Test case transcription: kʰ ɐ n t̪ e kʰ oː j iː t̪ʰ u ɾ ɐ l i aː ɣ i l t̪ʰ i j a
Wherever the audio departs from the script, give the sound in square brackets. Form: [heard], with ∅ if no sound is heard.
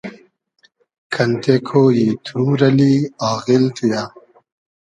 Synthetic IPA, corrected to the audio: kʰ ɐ n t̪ e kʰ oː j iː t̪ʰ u ɾ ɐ l i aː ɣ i l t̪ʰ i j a

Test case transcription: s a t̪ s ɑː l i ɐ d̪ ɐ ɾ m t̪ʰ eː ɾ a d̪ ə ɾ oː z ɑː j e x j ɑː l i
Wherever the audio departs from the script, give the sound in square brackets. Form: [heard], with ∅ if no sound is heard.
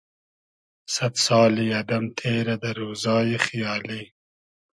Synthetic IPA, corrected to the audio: s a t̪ s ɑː l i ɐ d̪ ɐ [∅] m t̪ʰ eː ɾ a d̪ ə ɾ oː z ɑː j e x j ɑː l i

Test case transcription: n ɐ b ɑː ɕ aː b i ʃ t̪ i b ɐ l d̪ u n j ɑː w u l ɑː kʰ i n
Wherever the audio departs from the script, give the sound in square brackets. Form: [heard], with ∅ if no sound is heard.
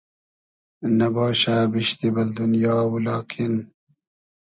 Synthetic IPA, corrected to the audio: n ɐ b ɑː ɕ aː b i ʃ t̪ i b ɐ l d̪ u n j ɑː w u l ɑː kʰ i n

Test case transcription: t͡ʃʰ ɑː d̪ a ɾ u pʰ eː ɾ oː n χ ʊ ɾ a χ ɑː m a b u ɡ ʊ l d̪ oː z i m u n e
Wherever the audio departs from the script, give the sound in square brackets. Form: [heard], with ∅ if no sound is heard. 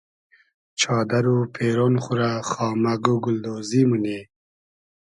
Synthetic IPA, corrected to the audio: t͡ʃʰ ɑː d̪ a ɾ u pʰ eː ɾ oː n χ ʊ ɾ a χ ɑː m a [ɡ] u ɡ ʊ l d̪ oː z i m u n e

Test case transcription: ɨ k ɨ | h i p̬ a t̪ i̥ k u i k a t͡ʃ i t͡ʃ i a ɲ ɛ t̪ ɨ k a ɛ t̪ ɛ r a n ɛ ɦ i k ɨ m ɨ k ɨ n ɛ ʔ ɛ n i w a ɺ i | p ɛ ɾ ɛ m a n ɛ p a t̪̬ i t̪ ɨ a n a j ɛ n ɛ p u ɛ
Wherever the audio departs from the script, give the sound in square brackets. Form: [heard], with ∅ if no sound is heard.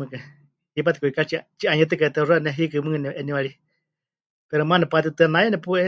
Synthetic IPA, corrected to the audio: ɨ k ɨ | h i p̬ a t̪ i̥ k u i k a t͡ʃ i t͡ʃ i a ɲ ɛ t̪ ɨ k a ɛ t̪ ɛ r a n ɛ ɦ i k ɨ m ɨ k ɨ n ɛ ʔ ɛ n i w a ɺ i | p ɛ ɾ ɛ m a n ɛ p a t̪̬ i t̪ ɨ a n a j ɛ n ɛ p u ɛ

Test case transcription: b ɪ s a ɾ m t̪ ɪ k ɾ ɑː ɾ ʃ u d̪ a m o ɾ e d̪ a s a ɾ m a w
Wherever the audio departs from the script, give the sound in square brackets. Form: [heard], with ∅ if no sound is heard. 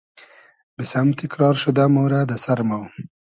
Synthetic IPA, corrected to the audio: b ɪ s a [∅] m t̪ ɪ k ɾ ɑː ɾ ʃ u d̪ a m o ɾ [a] d̪ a s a ɾ m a w

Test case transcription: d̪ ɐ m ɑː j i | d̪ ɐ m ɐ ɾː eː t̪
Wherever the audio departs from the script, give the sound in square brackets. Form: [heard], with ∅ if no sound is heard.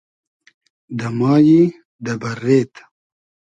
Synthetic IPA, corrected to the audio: d̪ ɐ m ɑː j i | d̪ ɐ [b] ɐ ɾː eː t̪

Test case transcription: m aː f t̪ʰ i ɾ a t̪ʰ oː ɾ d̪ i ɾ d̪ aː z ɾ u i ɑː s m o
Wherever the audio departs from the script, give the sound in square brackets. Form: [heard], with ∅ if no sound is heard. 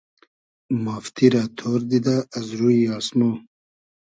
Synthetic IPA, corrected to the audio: m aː f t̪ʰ i ɾ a t̪ʰ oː ɾ d̪ i [∅] d̪ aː z ɾ u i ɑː s m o

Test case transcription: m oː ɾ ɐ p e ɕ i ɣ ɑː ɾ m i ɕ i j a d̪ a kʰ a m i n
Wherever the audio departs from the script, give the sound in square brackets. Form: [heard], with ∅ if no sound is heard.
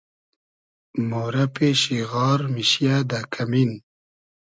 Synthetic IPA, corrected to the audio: m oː ɾ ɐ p e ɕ i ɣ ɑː ɾ m i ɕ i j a d̪ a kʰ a m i n

